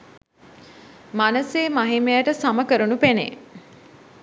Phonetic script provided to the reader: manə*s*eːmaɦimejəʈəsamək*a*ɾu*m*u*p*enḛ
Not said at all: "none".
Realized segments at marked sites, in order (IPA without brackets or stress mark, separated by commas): s, ə, n, p